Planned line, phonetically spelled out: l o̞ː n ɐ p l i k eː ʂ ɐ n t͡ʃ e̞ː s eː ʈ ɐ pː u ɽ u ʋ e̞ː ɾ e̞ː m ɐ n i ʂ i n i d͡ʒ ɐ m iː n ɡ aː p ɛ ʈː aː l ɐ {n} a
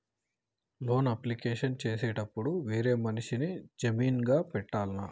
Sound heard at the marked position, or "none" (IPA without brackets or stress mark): n